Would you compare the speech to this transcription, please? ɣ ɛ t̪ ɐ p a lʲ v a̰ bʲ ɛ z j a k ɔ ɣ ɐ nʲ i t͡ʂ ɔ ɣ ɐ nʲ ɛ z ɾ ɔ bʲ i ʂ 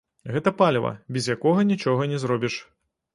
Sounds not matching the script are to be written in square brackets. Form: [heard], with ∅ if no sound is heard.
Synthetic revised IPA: ɣ ɛ t̪ ɐ p a lʲ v [ɐ̰] bʲ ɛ z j a k ɔ ɣ ɐ nʲ i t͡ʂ ɔ ɣ ɐ nʲ ɛ z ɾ ɔ bʲ i ʂ